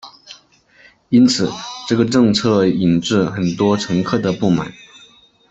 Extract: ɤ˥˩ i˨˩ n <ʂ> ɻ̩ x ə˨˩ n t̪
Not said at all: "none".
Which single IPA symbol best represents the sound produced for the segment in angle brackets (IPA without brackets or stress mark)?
ʈ͡ʂ